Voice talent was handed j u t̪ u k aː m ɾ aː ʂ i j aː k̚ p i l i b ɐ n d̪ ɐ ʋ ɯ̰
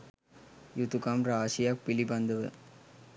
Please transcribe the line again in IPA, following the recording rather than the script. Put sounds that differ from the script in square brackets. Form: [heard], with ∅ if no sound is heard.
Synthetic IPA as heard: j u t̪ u k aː m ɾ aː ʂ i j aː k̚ p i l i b ɐ n d̪ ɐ ʋ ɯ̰